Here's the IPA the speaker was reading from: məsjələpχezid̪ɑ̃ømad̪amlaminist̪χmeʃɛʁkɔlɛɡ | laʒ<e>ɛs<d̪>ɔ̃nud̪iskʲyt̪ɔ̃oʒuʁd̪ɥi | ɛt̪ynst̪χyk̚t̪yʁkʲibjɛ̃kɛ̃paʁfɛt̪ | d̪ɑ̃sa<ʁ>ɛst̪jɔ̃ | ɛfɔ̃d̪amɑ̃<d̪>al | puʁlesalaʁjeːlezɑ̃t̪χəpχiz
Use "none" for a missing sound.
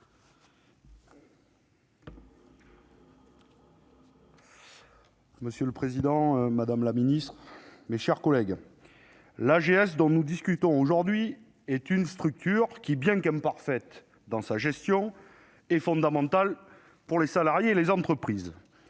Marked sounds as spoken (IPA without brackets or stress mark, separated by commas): e, d̪, ʒ, t̪